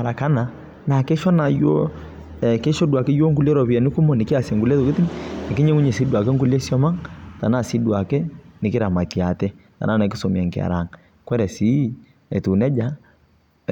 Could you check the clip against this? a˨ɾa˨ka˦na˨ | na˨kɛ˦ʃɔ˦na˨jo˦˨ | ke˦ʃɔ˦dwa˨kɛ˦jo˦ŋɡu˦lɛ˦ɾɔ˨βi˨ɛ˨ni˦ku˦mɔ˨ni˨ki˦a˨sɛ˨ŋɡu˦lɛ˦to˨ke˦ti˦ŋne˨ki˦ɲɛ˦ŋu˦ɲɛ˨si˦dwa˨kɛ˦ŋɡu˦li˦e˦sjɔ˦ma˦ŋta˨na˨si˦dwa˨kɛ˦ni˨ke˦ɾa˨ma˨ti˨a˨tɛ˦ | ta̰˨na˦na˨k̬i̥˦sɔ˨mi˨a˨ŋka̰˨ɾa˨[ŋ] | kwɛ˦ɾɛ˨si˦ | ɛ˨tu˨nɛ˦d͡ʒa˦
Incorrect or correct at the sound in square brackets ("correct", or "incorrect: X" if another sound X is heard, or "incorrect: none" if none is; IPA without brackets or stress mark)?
correct